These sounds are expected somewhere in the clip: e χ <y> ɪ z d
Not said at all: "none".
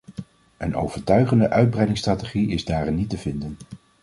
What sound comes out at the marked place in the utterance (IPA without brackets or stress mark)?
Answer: i